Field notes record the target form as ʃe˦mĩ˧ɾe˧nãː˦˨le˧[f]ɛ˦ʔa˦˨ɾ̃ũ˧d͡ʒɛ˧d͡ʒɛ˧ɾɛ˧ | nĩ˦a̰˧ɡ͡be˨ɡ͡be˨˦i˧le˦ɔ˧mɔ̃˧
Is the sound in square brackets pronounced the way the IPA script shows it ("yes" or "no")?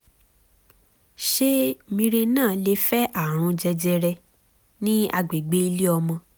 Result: yes